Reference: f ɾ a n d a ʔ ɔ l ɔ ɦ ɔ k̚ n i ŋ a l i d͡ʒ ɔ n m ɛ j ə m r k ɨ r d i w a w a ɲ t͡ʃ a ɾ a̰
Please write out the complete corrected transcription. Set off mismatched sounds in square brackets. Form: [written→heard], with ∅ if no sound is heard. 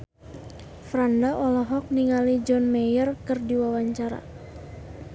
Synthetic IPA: f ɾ a n d a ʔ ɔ l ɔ ɦ ɔ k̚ n i ŋ a l i d͡ʒ ɔ n m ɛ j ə [m→∅] r k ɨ r d i w a w a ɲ t͡ʃ a ɾ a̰